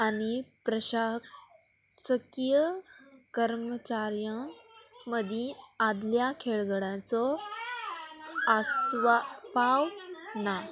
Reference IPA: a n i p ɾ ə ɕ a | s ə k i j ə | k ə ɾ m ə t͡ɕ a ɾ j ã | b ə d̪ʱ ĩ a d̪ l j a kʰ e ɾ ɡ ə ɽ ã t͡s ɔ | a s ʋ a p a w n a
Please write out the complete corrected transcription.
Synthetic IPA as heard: a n i p ɾ ə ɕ a | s ə k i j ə | k ə ɾ m ə t͡ɕ a ɾ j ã | m ə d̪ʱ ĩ a d̪ l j a kʰ e ɭ ɡ ə ɽ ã t͡s ɔ | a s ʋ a p a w n a

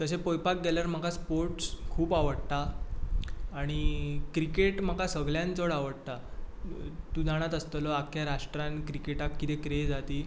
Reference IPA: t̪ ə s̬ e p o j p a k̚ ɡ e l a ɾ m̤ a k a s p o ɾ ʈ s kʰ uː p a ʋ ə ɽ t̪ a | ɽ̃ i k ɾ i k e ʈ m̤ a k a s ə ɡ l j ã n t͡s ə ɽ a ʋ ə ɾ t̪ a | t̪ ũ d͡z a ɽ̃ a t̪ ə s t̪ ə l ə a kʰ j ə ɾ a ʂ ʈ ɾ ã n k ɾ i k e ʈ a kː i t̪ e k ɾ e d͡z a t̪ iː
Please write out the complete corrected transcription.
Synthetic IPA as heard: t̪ ə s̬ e p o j p a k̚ ɡ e l a ɾ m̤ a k a s p o ɾ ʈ s kʰ uː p a ʋ ə ɽ t̪ a | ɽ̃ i k ɾ i k e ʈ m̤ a k a s ə ɡ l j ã n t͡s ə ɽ a ʋ ə ɽ t̪ a | t̪ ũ d͡z a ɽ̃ a t̪ ə s t̪ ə l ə a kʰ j a ɾ a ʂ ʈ ɾ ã n k ɾ i k e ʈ a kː i t̪ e k ɾ e d͡z a t̪ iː

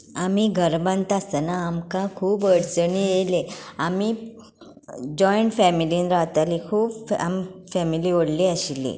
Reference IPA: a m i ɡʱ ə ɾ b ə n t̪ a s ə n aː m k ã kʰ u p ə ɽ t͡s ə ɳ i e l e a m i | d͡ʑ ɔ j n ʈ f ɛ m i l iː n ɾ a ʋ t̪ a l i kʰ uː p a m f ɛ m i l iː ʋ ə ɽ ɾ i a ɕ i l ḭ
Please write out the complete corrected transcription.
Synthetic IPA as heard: a m i ɡʱ ə ɾ b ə n t̪ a s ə n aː m k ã kʰ uː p ə ɽ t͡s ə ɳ i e l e a m i | d͡ʑ ɔ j ɳ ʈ f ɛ m i l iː n ɾ a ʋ t̪ a l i kʰ uː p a m f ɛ m i l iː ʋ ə ɽ l i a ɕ i l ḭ

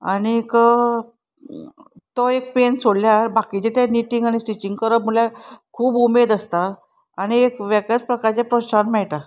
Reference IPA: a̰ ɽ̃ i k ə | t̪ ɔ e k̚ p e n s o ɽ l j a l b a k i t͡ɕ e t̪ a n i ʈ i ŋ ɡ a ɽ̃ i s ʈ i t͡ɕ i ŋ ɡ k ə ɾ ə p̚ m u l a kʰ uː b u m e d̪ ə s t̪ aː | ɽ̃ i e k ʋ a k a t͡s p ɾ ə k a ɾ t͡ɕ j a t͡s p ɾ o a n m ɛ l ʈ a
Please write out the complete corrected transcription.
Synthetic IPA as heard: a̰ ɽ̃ i k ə | t̪ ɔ e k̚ p e n s o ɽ l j a ɾ b a k i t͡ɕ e t̪ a n i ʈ i ŋ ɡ a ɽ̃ i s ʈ i t͡ɕ i ŋ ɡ k ə ɾ ə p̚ m u l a kʰ uː b u m e d̪ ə s t̪ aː | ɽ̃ i e k ʋ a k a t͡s p ɾ ə k a ɾ t͡ɕ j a p ɾ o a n m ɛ ɭ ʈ a

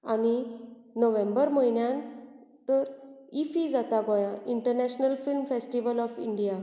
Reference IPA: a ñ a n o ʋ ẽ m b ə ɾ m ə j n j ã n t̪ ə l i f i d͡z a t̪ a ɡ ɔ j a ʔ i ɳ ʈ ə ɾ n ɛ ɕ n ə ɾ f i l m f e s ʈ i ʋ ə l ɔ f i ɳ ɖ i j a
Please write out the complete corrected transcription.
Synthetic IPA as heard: a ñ i n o ʋ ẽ m b ə ɾ m ə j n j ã n t̪ ə ɾ i f i d͡z a t̪ a ɡ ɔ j a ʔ i ɳ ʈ ə ɾ n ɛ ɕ n ə l f i l m f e s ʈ i ʋ ə l ɔ f i ɳ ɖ i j a

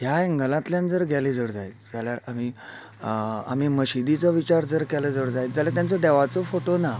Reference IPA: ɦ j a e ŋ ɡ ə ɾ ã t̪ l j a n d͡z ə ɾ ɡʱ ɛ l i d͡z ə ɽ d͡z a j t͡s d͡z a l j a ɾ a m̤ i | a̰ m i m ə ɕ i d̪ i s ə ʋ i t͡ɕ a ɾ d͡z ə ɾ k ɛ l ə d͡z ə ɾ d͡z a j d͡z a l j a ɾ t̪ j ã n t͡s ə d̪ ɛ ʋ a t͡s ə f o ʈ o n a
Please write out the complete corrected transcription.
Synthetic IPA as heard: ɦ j a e ŋ ɡ ə l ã t̪ l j a n d͡z ə ɾ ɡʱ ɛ l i d͡z ə ɽ d͡z a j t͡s d͡z a l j a ɾ a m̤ i | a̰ m i m ə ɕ i d̪ i t͡s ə ʋ i t͡ɕ a ɾ d͡z ə ɾ k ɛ l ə d͡z ə ɽ d͡z a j d͡z a l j a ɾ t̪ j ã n t͡s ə d̪ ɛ ʋ a t͡s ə f o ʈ o n a

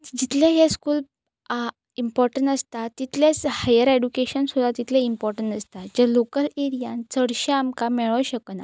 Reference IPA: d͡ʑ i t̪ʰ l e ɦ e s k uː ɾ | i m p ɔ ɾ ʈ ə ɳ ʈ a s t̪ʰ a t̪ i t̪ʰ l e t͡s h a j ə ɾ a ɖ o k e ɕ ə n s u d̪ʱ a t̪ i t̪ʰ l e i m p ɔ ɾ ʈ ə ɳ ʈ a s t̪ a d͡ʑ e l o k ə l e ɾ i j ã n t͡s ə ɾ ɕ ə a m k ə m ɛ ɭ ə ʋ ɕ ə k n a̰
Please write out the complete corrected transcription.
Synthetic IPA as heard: d͡ʑ i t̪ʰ l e ɦ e s k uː l | i m p ɔ ɾ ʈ ə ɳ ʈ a s t̪ a t̪ i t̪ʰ l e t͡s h a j ə ɾ e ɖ u k e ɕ ə n s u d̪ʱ a t̪ i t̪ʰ l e i m p ɔ ɾ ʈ ə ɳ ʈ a s t̪ a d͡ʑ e l o k ə l e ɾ i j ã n t͡s ə ɽ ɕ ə a m k a m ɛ ɭ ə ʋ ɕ ə k n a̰

